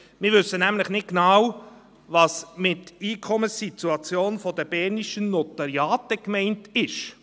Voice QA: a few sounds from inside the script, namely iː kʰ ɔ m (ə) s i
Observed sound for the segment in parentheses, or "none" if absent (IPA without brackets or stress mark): ə